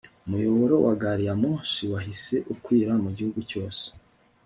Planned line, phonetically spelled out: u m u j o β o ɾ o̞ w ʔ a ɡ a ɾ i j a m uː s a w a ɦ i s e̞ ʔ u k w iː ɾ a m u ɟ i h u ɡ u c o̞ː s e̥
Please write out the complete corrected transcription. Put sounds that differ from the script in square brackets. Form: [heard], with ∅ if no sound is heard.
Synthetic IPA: u m u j o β o ɾ o̞ w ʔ a ɡ a ɾ i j a m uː s [i] w a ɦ i s e̞ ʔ u k w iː ɾ a m u ɟ i h u ɡ u c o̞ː s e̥